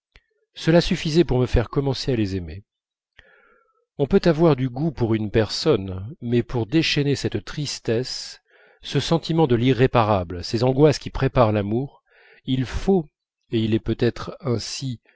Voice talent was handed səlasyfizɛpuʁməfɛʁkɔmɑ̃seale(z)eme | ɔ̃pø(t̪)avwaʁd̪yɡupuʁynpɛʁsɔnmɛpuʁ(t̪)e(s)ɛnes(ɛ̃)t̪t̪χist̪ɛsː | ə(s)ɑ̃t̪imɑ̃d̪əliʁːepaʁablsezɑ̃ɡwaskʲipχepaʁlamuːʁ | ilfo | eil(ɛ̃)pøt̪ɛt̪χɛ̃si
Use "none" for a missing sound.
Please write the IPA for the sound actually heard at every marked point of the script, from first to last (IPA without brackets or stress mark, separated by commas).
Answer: z, t̪, d̪, ʃ, ɛ, s, ɛ